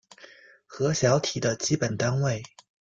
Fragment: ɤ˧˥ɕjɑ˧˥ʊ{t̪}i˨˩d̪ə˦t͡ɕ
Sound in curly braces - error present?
yes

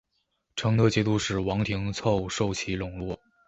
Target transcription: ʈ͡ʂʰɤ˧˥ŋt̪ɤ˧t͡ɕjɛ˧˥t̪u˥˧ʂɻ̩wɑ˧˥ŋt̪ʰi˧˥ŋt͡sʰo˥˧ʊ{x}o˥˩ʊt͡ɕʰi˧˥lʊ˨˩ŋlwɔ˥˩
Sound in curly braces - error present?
yes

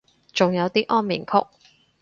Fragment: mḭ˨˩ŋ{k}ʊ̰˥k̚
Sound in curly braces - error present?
yes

